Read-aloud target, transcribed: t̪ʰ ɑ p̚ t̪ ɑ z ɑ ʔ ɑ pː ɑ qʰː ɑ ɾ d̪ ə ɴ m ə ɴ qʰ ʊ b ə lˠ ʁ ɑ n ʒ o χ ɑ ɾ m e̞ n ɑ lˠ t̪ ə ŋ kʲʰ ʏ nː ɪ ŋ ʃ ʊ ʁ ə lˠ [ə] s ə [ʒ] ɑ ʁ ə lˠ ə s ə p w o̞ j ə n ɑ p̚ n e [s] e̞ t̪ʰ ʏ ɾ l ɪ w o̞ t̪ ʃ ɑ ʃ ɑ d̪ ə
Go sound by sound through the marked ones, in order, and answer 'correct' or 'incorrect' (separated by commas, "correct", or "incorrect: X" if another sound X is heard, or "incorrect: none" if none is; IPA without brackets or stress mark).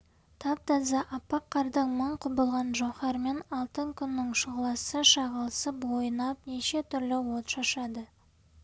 incorrect: ɑ, incorrect: ʃ, incorrect: ʃ